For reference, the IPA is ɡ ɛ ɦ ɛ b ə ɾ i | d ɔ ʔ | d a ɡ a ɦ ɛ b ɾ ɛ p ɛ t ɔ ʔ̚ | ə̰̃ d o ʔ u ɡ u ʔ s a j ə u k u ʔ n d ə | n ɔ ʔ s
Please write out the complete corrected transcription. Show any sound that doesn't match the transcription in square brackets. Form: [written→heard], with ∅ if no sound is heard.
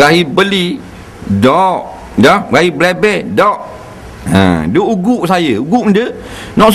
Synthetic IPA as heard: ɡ [ɛ→a] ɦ [ɛ→i] b ə [ɾ→l] i | d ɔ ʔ | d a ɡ a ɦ [ɛ→i] b [ɾ→l] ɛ [p→b] ɛ [t→d] ɔ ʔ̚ | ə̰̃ d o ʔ u ɡ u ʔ s a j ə u [k→ɡ] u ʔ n d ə | n ɔ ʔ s